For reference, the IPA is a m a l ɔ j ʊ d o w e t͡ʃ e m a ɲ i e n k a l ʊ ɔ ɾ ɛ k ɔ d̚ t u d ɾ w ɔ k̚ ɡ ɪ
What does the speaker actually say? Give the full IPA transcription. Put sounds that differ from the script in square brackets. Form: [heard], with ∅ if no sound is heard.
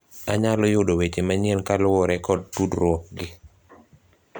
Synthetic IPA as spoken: a [ɲ] a l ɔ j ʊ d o w e t͡ʃ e m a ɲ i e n k a l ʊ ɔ ɾ ɛ k ɔ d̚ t u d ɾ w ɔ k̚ ɡ ɪ